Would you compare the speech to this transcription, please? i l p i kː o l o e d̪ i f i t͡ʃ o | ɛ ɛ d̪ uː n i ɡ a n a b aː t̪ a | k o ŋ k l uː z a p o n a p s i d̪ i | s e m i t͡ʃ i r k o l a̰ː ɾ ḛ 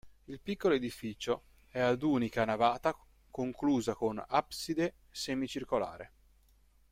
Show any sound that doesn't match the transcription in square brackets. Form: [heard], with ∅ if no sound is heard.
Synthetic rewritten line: i l p i kː o l o e d̪ i f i t͡ʃ o | ɛ [a] d̪ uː n i [k] a n a [v] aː t̪ a | k o ŋ k l uː z a [k] o n a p s i d̪ [e] | s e m i t͡ʃ i r k o l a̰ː ɾ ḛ